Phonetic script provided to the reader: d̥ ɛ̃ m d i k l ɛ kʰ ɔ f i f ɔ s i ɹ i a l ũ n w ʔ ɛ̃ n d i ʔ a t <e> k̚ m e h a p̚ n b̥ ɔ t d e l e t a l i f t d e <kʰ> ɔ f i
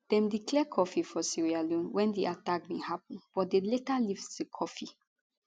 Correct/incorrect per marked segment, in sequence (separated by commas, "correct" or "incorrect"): incorrect, correct